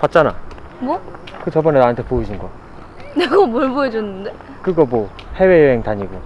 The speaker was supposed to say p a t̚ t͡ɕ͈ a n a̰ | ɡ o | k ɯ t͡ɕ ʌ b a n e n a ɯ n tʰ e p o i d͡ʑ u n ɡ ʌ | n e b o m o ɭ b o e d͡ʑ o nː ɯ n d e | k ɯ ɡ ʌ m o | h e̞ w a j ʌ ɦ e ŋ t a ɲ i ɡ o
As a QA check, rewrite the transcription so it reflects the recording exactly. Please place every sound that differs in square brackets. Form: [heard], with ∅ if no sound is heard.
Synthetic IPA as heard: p a t̚ t͡ɕ͈ a n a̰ | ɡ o | k ɯ t͡ɕ ʌ b [ʌ] n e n a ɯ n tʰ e p o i d͡ʑ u n ɡ ʌ | n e [ɡ] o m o ɭ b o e d͡ʑ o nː ɯ n d e | k ɯ ɡ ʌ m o | h e̞ w [e] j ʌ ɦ e ŋ t a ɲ i ɡ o